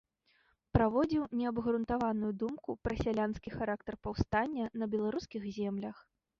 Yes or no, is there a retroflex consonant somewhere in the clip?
no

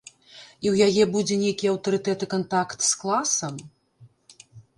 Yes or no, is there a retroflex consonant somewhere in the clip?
no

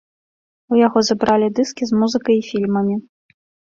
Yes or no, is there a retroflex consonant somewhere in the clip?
no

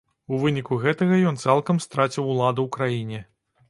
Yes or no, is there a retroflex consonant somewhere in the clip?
no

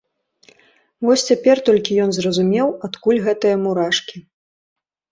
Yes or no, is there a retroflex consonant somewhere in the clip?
yes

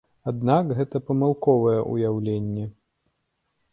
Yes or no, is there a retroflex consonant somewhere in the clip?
no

